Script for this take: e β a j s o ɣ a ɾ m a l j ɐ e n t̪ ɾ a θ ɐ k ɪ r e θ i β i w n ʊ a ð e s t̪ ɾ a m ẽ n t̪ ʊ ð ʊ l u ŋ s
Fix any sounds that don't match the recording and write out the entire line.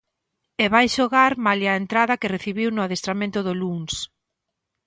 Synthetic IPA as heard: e β a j ʃ o ɣ a ɾ m a l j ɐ e n t̪ ɾ a ð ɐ k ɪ r e θ i β i w n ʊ a ð e s t̪ ɾ a m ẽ n t̪ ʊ ð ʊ l u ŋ s